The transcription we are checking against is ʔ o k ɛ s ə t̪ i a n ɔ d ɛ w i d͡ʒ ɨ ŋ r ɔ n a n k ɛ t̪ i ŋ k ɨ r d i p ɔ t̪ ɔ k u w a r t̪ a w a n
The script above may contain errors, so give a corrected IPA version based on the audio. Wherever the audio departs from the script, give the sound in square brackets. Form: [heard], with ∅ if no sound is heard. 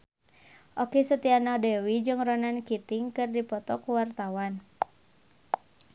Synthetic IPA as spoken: ʔ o k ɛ s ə t̪ i a n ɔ d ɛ w i d͡ʒ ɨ ŋ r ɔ n a n k [i] t̪ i ŋ k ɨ r d i p ɔ t̪ ɔ k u w a r t̪ a w a n